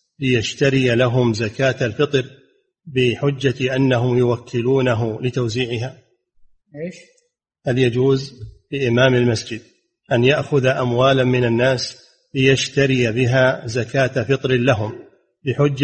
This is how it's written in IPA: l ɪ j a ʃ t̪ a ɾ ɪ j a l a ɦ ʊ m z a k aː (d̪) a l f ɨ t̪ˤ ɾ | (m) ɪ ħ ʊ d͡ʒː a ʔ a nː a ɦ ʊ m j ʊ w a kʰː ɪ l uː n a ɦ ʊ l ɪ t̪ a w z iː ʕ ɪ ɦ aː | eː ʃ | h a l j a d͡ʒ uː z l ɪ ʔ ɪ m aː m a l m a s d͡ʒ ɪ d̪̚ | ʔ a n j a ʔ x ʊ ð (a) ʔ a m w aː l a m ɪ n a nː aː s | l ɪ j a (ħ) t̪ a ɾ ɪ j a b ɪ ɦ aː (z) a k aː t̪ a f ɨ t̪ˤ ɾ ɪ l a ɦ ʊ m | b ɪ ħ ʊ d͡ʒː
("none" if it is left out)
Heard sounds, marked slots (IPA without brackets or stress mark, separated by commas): t̪, b, a, ʃ, z